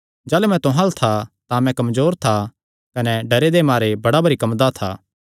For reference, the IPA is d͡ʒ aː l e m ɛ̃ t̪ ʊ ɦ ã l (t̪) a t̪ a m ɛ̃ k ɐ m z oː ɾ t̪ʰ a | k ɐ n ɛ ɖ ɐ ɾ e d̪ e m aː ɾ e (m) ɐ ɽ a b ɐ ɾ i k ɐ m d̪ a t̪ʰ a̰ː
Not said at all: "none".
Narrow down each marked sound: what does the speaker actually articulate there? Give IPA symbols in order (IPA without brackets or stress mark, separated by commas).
t̪ʰ, b